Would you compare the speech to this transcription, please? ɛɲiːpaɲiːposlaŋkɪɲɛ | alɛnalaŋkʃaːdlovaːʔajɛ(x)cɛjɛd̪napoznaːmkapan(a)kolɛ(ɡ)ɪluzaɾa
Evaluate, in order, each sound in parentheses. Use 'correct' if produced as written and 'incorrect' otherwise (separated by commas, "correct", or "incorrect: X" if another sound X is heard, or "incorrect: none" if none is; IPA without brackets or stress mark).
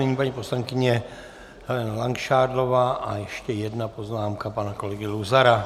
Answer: incorrect: ʃ, correct, correct